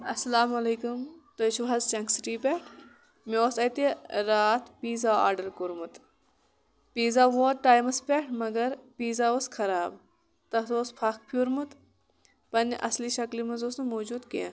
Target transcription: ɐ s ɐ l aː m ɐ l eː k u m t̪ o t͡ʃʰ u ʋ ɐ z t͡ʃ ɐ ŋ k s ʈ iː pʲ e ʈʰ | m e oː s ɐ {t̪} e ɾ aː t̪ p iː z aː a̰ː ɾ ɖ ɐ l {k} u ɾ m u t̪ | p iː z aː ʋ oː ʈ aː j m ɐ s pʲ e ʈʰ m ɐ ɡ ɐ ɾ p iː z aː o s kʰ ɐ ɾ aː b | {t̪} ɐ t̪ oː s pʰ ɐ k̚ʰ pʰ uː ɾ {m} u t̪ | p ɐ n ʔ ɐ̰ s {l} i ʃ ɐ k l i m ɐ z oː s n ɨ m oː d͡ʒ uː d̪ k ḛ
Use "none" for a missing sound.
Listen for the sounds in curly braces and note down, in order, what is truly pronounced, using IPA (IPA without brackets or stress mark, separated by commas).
t̪, k, t̪, m, l